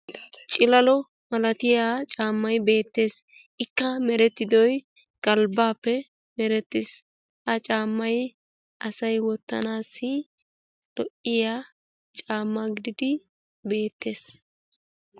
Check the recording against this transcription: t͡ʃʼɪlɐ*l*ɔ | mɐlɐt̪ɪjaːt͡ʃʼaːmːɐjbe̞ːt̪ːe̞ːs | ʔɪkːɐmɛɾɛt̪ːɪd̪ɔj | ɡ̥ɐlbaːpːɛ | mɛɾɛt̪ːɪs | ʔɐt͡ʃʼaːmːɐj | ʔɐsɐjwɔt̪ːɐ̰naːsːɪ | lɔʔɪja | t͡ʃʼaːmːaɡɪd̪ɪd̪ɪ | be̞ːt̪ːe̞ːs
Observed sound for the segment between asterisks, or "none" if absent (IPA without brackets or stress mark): l